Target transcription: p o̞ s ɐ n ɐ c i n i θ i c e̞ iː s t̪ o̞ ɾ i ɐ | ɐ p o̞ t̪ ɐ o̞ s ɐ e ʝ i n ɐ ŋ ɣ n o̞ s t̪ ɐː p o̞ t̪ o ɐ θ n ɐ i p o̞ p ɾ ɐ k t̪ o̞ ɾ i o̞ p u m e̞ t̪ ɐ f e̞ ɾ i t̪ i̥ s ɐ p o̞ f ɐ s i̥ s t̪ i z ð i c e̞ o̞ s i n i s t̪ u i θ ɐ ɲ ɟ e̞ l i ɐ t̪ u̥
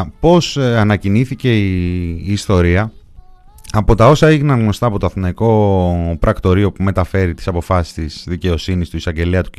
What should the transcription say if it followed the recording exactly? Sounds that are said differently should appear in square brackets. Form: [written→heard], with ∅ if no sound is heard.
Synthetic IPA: p o̞ s ɐ n ɐ c i n i θ i c e̞ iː s t̪ o̞ ɾ i ɐ | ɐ p o̞ t̪ ɐ o̞ s ɐ e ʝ i n ɐ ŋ ɣ n o̞ s t̪ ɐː p o̞ t̪ o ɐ θ n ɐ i [p→k] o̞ p ɾ ɐ k t̪ o̞ ɾ i o̞ p u m e̞ t̪ ɐ f e̞ ɾ i t̪ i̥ s ɐ p o̞ f ɐ s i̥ s t̪ i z ð i c e̞ o̞ s i n i s t̪ u i [θ→s] ɐ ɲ ɟ e̞ l i ɐ t̪ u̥